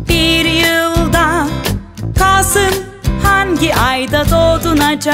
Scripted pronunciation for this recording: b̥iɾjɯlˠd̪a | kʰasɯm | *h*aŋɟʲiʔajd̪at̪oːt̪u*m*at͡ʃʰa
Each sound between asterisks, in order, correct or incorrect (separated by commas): correct, incorrect